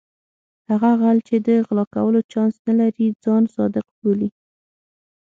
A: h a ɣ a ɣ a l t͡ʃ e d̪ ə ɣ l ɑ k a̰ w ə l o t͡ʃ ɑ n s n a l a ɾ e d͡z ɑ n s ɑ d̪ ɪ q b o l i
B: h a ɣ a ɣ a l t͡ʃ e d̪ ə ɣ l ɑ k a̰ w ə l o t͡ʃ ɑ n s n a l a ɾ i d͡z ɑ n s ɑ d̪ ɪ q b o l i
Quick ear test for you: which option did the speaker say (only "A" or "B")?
B